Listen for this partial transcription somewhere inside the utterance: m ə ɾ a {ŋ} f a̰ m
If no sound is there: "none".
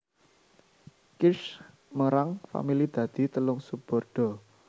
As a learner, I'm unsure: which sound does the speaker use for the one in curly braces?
ŋ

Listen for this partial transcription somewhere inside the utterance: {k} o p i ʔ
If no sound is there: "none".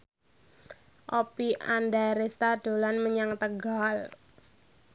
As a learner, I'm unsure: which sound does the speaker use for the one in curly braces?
ʔ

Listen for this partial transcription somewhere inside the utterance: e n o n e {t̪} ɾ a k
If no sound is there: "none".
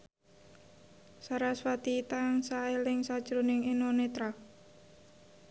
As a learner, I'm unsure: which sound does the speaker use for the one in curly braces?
t̪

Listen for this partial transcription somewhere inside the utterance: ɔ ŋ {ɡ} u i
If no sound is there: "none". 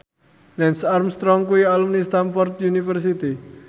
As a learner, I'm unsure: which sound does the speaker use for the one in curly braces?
k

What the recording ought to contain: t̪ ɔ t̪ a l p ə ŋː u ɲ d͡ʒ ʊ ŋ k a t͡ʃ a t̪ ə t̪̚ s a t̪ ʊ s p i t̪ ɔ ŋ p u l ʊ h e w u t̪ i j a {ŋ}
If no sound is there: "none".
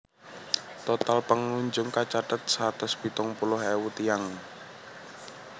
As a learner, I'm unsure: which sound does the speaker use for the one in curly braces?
ŋ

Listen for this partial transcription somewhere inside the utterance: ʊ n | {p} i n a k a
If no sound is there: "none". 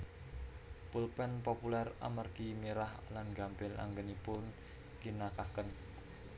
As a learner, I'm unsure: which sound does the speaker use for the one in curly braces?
k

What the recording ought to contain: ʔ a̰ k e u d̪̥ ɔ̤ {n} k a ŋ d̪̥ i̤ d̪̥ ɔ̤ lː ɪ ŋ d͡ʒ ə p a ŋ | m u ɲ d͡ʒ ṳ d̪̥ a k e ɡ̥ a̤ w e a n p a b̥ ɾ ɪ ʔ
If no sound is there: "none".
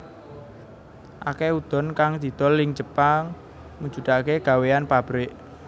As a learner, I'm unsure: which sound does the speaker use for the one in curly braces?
n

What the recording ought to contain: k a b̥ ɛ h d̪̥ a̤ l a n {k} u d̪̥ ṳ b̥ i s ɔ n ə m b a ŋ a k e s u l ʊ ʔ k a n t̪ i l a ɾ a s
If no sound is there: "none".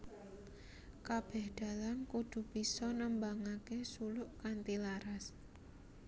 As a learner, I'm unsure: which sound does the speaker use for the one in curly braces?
k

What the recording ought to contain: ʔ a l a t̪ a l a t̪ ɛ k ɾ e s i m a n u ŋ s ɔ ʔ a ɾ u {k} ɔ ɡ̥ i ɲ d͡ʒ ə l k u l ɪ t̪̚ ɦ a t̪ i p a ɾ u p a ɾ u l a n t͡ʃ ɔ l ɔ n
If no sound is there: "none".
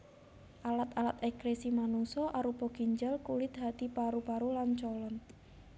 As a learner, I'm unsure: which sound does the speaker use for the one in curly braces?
p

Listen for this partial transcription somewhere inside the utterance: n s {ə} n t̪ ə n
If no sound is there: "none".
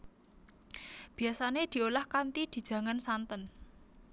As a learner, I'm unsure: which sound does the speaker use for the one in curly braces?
a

